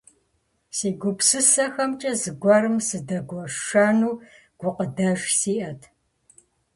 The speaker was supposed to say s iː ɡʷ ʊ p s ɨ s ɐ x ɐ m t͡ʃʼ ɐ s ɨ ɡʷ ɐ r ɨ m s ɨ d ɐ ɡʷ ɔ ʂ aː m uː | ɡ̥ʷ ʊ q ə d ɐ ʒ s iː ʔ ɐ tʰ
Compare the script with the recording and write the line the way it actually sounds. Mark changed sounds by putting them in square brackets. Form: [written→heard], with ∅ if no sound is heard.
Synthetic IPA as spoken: s iː ɡʷ ʊ p s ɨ s ɐ x ɐ m t͡ʃʼ ɐ [s→z] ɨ ɡʷ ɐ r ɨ m s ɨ d ɐ ɡʷ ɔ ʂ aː [m→n] uː | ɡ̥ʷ ʊ q ə d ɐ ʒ s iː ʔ ɐ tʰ

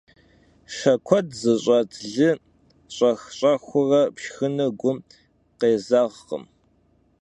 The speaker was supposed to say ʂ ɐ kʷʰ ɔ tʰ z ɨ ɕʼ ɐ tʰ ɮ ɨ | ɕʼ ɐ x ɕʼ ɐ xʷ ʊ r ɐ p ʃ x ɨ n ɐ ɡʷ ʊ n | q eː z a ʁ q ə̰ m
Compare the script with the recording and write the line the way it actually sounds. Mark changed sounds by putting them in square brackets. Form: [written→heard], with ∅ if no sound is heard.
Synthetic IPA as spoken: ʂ ɐ kʷʰ ɔ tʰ z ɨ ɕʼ ɐ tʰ ɮ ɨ | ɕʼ ɐ x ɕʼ ɐ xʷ ʊ r ɐ p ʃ x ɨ n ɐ ɡʷ ʊ [n→m] | q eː z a ʁ q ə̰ m

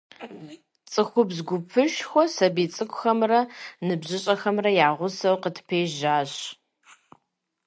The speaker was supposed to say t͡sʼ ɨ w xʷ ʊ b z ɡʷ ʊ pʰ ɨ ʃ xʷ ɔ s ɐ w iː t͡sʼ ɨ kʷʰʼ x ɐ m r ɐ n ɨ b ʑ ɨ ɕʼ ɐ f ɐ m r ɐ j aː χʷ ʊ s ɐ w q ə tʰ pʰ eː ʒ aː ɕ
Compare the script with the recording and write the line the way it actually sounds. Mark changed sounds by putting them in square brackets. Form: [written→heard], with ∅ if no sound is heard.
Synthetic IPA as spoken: t͡sʼ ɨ [w→∅] xʷ ʊ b z ɡʷ ʊ pʰ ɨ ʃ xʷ ɔ s ɐ [w→b] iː t͡sʼ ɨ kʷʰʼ x ɐ m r ɐ n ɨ b ʑ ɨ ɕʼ ɐ [f→x] ɐ m r ɐ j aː [χʷ→ʁʷ] ʊ s ɐ w q ə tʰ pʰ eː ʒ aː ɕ

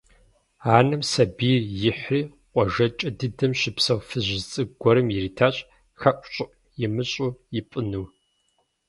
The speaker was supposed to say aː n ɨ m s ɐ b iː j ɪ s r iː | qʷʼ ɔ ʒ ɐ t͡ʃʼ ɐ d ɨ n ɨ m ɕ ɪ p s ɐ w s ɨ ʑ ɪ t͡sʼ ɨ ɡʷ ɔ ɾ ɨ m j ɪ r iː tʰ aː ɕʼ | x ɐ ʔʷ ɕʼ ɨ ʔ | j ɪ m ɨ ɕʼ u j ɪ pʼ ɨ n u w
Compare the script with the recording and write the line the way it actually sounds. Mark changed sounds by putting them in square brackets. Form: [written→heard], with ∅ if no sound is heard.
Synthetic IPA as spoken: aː n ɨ m s ɐ b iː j ɪ [s→ħ] r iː | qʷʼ ɔ ʒ ɐ t͡ʃʼ ɐ d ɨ [n→d] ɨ m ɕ ɪ p s ɐ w [s→f] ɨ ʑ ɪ t͡sʼ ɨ ɡʷ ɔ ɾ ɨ m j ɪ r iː tʰ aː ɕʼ | x ɐ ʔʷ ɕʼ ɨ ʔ | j ɪ m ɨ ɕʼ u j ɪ pʼ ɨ n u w

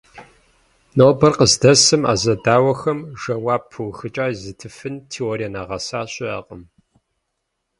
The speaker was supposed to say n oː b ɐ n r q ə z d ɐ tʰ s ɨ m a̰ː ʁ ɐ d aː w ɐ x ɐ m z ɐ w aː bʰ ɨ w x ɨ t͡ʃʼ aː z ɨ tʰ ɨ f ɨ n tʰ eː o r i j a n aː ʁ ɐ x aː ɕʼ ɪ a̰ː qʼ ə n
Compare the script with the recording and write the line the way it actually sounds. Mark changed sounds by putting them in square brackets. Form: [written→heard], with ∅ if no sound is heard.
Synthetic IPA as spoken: n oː b ɐ [n→∅] r q ə z d ɐ [tʰ→∅] s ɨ m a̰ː [ʁ→z] ɐ d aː w ɐ x ɐ m [z→ʒ] ɐ w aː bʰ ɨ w x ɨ t͡ʃʼ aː z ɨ tʰ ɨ f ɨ n tʰ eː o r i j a n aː ʁ ɐ [x→s] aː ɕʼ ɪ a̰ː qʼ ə [n→m]

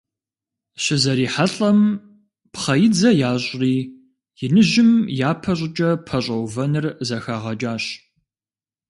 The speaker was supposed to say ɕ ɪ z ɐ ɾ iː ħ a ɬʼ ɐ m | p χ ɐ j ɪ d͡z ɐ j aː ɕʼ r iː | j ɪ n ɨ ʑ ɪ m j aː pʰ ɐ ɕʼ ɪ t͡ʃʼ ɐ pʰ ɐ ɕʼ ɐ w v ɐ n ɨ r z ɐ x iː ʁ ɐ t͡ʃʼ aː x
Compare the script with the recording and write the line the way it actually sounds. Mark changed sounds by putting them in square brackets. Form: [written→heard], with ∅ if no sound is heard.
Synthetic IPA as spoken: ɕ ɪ z ɐ ɾ iː ħ a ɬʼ ɐ m | p χ ɐ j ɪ d͡z ɐ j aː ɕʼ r iː | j ɪ n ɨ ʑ ɪ m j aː pʰ ɐ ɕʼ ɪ t͡ʃʼ ɐ pʰ ɐ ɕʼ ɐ w v ɐ n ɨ r z ɐ x [iː→aː] ʁ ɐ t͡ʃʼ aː [x→ɕ]

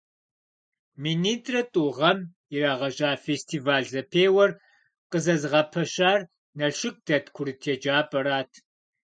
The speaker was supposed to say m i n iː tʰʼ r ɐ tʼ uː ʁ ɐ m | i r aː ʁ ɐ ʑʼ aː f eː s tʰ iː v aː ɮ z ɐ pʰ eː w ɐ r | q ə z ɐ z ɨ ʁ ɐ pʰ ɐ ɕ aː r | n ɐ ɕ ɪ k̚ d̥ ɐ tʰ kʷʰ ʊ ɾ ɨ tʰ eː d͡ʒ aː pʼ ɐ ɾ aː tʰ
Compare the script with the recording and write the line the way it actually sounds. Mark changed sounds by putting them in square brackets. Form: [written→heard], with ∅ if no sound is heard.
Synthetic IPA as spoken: m i n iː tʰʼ r ɐ tʼ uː ʁ ɐ m | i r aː ʁ ɐ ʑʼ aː f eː s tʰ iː v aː ɮ z ɐ pʰ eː w ɐ r | q ə z ɐ z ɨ ʁ ɐ pʰ ɐ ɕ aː r | n ɐ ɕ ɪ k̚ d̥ ɐ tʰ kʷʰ ʊ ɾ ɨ tʰ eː d͡ʒ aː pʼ ɐ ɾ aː tʰ

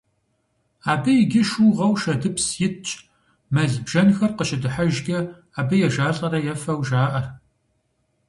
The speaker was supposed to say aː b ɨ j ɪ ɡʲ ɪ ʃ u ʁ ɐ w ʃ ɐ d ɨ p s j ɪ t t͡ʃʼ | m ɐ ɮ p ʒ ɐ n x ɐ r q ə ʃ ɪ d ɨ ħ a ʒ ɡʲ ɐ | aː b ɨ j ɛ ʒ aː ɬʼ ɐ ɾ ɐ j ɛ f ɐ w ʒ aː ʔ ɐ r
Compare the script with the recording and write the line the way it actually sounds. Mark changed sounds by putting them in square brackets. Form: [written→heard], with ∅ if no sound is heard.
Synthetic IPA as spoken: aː b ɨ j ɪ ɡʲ ɪ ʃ u ʁ ɐ w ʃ ɐ d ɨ p s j ɪ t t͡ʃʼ | m ɐ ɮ [p→b] ʒ ɐ n x ɐ r q ə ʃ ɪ d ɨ ħ a ʒ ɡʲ ɐ | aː b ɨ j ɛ ʒ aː ɬʼ ɐ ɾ ɐ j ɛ f ɐ w ʒ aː ʔ ɐ r

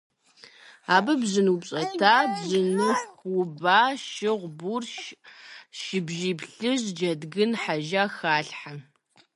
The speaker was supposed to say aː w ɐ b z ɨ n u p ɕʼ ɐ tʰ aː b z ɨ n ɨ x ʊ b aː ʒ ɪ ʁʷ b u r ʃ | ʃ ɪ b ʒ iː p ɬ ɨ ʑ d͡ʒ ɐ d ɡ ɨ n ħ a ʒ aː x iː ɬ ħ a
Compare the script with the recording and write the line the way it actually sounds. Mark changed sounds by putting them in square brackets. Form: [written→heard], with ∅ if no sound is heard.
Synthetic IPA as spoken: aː [w→b] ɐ b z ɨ n u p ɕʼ ɐ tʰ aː b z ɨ n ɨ x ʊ b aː [ʒ→ʃ] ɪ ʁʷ b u r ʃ | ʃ ɪ b ʒ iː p ɬ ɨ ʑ d͡ʒ ɐ d ɡ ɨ n ħ a ʒ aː x [iː→aː] ɬ ħ a

